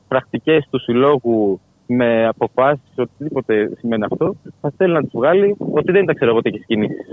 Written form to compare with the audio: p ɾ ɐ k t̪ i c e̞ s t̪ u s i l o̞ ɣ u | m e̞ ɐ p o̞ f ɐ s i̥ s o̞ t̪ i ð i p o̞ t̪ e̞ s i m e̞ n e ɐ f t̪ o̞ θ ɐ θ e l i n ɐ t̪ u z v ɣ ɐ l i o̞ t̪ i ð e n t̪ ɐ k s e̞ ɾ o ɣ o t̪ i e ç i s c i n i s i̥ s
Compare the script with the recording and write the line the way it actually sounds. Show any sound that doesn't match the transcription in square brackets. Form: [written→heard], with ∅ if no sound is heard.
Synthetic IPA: p ɾ ɐ k t̪ i c e̞ s t̪ u s i l o̞ ɣ u | m e̞ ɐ p o̞ f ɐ s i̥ s o̞ t̪ i ð i p o̞ t̪ e̞ s i m e̞ n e ɐ f t̪ o̞ θ ɐ θ e l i n ɐ t̪ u z v ɣ ɐ l i o̞ t̪ i ð e n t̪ ɐ k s e̞ ɾ o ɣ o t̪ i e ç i s c i n i s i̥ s